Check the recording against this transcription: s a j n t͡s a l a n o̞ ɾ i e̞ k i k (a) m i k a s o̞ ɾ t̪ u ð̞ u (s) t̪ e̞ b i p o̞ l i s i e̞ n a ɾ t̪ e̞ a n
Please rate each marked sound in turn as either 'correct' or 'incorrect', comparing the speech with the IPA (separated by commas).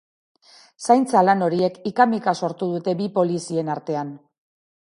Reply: correct, incorrect